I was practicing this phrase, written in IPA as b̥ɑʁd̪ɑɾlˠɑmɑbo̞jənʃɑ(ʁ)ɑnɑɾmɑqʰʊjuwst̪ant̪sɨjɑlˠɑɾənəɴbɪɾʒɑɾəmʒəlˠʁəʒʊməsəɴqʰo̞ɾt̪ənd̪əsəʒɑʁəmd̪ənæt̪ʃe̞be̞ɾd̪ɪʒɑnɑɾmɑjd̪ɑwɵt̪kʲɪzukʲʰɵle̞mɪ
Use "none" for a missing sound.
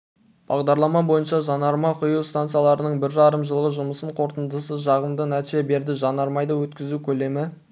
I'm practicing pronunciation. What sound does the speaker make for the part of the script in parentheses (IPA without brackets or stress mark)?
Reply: ʒ